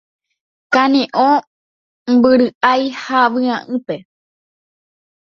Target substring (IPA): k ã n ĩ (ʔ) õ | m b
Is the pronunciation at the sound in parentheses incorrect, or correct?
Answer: correct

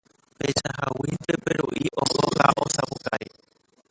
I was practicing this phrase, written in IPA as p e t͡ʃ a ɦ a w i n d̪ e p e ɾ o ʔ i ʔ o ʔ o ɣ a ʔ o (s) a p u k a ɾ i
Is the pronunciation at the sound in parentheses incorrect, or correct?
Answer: correct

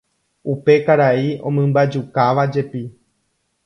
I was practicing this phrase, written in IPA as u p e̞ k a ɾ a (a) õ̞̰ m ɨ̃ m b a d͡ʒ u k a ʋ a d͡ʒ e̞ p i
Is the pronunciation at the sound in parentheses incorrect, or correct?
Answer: incorrect: i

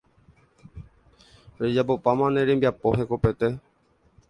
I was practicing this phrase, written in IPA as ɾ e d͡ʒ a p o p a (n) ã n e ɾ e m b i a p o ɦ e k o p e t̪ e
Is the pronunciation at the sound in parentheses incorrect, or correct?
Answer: incorrect: m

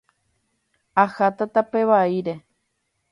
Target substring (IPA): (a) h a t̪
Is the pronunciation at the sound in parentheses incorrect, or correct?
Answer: correct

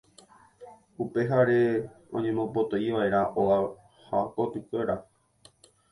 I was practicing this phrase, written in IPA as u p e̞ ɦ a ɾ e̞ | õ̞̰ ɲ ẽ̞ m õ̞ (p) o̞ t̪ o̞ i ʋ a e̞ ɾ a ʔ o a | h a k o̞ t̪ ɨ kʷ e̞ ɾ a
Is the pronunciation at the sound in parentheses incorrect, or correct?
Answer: correct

